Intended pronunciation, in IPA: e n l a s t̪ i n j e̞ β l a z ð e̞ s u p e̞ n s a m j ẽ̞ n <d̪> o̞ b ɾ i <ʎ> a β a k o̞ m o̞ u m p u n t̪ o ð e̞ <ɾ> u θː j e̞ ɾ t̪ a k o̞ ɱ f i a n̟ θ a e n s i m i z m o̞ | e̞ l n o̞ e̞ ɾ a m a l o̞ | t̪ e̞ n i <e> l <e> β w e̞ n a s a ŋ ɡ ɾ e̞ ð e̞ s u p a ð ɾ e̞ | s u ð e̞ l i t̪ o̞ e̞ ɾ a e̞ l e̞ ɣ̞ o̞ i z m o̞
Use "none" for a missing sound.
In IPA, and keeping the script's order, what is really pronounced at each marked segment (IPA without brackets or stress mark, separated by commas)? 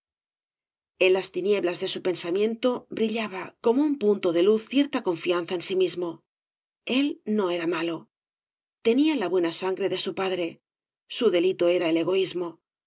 t̪, ʎ, l, a, a